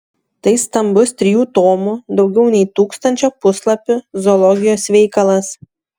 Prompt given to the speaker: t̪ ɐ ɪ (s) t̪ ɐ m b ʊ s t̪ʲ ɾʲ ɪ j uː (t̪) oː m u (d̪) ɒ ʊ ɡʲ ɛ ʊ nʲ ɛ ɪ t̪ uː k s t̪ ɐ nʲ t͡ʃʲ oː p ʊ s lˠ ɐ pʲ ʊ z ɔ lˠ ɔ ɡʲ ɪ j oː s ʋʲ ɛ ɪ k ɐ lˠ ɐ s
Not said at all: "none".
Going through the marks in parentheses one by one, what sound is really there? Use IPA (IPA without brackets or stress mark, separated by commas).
s, t̪, d̪